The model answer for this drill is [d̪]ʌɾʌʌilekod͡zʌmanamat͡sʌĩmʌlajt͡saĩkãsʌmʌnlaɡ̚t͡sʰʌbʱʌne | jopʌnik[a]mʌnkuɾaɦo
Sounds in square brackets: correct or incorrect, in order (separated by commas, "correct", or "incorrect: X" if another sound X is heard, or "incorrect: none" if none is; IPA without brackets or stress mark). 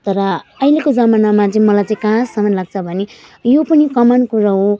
incorrect: t̪, incorrect: ʌ